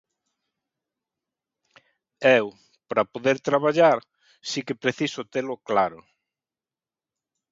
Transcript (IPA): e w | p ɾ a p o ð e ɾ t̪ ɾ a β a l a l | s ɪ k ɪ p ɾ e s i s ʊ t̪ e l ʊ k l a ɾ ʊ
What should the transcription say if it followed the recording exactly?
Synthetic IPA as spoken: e w | p ɾ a p o ð e ɾ t̪ ɾ a β a ʎ a ɾ | s i k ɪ p ɾ e θ i s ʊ t̪ e l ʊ k l a ɾ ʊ